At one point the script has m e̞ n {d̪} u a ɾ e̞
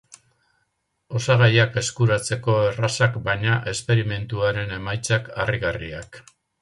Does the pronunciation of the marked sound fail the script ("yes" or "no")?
yes